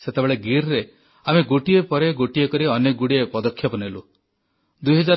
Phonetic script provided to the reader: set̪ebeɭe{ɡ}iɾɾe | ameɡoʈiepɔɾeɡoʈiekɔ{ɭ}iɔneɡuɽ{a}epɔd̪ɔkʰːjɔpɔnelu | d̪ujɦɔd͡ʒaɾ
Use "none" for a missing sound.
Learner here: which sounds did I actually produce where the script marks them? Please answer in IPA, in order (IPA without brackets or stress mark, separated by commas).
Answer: ɡ, ɾ, i